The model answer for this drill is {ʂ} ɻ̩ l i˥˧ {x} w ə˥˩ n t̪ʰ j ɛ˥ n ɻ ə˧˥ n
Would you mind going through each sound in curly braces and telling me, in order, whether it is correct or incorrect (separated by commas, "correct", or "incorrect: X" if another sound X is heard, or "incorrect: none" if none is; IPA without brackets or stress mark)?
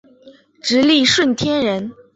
incorrect: ʈ͡ʂ, incorrect: ʂ